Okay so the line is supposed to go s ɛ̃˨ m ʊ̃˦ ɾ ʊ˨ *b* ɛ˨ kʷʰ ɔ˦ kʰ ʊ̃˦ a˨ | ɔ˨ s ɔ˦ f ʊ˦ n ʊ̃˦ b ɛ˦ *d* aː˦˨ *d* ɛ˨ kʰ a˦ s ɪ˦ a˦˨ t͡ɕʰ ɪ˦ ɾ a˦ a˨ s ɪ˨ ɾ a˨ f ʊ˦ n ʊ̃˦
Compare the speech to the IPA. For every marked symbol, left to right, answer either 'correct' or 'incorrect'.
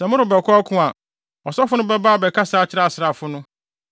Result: correct, incorrect, incorrect

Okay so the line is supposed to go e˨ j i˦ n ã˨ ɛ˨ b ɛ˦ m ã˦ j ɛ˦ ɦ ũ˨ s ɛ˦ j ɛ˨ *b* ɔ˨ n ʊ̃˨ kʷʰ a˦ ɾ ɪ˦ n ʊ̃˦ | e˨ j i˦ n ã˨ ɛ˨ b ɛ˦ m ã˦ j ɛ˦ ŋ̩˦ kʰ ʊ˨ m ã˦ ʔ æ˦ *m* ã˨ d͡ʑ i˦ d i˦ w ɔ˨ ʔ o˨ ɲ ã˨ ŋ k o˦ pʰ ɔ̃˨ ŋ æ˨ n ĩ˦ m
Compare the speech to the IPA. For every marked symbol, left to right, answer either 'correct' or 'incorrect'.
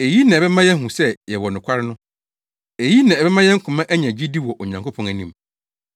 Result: incorrect, incorrect

